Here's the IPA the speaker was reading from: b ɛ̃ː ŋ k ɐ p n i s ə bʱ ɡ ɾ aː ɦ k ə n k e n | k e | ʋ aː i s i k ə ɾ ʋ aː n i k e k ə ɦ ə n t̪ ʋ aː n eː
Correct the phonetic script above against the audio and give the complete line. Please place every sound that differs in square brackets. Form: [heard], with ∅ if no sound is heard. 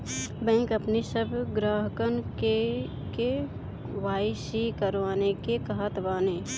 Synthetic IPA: b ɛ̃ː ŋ k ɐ p n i s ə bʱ ɡ ɾ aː ɦ k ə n k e [∅] | k e | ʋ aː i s i k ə ɾ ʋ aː n [e] k e k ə ɦ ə [∅] t̪ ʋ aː n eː

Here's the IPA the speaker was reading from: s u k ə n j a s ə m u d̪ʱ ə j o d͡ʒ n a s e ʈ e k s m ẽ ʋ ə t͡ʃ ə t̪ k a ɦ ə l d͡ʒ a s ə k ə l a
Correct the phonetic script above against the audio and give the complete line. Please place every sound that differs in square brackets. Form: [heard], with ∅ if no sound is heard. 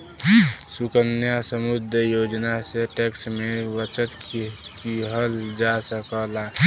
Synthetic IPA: s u k ə n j a s ə m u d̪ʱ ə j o d͡ʒ n a s e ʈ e k s m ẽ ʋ ə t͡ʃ ə t̪ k [i] ɦ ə l d͡ʒ a s ə k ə l a

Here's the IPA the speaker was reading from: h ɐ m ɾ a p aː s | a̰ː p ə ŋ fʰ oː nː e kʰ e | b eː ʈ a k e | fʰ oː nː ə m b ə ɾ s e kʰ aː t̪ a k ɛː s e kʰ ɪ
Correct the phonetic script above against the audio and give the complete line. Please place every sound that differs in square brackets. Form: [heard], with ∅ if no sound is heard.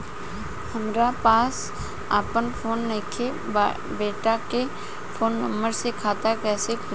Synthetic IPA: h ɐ m ɾ a p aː s | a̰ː p ə [n] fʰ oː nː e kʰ e | b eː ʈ a k e | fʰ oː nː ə m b ə ɾ s e kʰ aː t̪ a k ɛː s e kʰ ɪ

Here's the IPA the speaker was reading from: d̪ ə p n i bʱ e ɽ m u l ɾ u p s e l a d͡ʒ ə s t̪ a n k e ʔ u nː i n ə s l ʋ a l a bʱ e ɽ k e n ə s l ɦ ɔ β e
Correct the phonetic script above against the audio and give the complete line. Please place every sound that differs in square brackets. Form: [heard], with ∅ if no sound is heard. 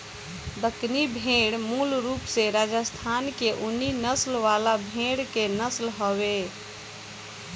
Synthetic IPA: d̪ ə [k] n i bʱ e ɽ m u l ɾ u p s e [ɾ] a d͡ʒ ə s [t̪ʰ] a n k e ʔ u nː i n ə s l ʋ a l a bʱ e ɽ k e n ə s l ɦ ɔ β e

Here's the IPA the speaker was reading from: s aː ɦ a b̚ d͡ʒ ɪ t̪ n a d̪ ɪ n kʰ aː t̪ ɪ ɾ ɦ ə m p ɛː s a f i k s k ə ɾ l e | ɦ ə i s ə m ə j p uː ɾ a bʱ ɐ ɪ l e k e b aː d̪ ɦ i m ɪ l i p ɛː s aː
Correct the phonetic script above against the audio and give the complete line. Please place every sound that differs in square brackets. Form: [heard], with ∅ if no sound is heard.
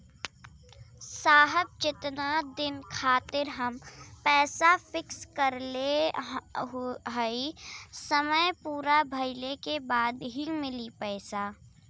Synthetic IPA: s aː ɦ [ə] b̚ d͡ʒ ɪ t̪ n a d̪ ɪ n kʰ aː t̪ ɪ ɾ ɦ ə m p ɛː s a f [ɪ] k s k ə ɾ l e | ɦ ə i s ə m ə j p uː ɾ a bʱ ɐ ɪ l e k e b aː d̪ ɦ i m ɪ l i p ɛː s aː

